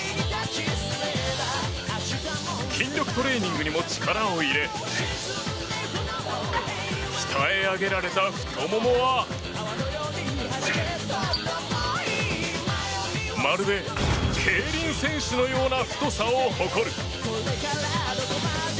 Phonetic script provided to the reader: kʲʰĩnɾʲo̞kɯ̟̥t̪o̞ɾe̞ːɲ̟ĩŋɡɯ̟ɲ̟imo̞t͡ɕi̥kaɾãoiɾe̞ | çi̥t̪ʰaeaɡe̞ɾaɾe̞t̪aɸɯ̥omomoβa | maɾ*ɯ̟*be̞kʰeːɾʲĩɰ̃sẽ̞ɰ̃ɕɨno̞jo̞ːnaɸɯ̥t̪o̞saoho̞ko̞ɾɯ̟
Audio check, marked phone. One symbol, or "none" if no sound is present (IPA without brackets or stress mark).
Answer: ɯ̟